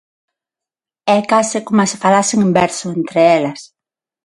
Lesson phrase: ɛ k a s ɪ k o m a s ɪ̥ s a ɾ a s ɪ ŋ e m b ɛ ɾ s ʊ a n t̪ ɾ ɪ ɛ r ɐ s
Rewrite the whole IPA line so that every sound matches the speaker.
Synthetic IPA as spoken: ɛ k a s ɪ k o m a s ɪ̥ f a l a s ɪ ŋ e m b ɛ ɾ s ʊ e n t̪ ɾ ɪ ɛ l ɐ s